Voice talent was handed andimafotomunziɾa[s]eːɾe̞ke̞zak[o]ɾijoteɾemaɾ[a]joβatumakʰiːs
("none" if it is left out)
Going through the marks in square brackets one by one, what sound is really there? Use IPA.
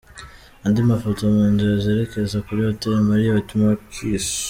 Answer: z, u, i

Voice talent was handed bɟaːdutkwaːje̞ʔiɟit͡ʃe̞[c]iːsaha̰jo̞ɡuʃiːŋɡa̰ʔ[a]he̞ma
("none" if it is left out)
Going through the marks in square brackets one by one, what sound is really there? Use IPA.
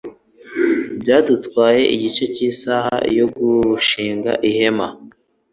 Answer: c, i

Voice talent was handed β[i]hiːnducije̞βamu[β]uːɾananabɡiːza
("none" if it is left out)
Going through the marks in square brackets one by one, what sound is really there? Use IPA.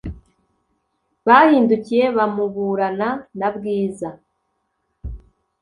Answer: a, β

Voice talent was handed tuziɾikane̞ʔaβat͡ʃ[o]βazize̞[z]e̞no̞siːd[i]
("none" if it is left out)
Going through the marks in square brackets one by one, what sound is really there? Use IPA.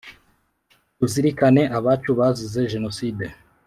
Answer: u, ʒ, e

